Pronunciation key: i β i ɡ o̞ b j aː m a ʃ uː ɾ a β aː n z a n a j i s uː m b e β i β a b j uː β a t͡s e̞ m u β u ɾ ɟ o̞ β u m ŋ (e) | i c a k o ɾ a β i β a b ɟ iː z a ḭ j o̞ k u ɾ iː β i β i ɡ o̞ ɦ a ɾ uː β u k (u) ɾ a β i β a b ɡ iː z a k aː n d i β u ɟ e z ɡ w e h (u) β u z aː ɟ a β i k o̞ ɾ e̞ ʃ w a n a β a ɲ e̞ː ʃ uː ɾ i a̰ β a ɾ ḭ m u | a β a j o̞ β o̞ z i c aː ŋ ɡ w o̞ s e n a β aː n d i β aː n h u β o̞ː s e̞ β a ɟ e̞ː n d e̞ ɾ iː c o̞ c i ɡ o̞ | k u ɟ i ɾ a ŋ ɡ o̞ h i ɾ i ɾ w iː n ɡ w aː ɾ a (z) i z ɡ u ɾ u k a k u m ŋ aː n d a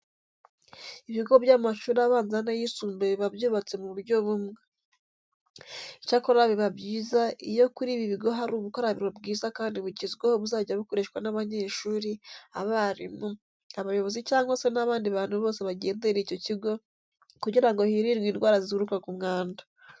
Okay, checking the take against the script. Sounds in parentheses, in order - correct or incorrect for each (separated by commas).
correct, incorrect, incorrect, correct